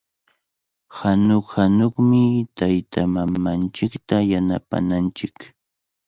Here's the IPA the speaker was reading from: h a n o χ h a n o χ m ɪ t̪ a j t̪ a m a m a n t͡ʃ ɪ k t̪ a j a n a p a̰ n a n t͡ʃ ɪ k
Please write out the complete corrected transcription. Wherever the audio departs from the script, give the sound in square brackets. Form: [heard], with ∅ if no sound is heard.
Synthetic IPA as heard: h a n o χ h a n o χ m ɪ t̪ a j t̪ a m a m a n t͡ʃ ɪ k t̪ a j a n a p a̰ n a n t͡ʃ ɪ k